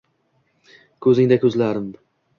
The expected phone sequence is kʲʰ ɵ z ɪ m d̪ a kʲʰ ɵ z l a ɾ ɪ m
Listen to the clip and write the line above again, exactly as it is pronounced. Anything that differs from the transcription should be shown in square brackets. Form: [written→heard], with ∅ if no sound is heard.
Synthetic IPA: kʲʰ ɵ z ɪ [m→ŋ] d̪ a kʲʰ ɵ z l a ɾ ɪ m